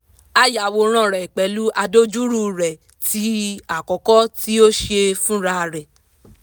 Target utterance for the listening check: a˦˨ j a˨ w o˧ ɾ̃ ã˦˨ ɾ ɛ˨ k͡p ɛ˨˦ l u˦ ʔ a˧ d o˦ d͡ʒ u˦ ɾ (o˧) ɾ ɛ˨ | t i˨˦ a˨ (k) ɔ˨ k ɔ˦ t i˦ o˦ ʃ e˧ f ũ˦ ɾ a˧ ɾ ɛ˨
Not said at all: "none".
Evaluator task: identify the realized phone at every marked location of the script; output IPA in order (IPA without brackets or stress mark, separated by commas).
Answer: u˧, k